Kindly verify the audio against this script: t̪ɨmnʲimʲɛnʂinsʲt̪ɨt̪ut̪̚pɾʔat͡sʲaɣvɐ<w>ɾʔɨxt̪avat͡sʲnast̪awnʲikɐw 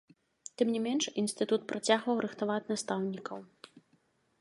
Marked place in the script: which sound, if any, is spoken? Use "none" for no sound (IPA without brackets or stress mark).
w